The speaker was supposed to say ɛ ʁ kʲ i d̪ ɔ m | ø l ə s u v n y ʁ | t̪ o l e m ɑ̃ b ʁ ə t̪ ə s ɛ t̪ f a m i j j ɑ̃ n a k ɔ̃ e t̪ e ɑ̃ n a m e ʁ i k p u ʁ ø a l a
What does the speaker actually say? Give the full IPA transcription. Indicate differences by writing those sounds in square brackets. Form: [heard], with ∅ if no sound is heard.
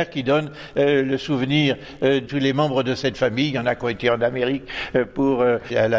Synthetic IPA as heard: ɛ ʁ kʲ i d̪ ɔ [n] | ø l ə s u v n [i] ʁ | t̪ [u] l e m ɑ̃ b ʁ ə [d̪] ə s ɛ t̪ f a m i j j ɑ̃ n a k ɔ̃ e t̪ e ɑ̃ n a m e ʁ i k p u ʁ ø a l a